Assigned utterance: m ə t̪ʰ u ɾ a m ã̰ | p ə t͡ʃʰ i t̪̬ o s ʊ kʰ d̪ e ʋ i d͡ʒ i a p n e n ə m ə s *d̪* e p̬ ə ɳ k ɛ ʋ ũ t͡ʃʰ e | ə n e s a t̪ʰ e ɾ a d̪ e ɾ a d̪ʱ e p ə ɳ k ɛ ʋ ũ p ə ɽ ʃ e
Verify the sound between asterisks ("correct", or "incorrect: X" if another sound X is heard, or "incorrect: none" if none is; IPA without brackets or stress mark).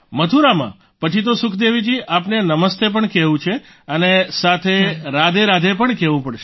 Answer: incorrect: t̪